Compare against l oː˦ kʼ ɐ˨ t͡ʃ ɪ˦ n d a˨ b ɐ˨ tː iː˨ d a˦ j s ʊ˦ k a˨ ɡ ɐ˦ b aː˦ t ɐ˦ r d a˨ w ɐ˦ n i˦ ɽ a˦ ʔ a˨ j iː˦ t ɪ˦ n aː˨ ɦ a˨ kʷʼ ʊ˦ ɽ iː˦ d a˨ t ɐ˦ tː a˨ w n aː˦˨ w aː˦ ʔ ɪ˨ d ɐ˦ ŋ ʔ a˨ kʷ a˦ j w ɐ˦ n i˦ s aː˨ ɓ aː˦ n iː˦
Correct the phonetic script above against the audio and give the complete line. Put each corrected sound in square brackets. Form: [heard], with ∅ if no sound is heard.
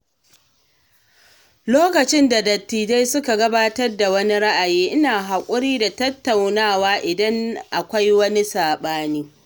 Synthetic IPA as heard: l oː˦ [k] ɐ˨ t͡ʃ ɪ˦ n d a˨ [d] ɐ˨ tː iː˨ d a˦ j s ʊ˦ k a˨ ɡ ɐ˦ b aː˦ t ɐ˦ r d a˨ w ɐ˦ n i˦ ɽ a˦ ʔ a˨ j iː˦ [ʔ] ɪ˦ n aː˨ ɦ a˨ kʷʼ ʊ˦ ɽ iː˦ d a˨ t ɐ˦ tː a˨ w n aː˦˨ w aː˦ ʔ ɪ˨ d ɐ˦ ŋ ʔ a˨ kʷ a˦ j w ɐ˦ n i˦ s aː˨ ɓ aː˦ n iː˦